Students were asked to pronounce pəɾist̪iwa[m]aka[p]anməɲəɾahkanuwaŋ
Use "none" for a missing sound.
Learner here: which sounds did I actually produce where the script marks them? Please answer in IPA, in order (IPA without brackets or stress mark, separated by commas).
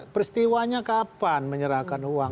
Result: ɲ, p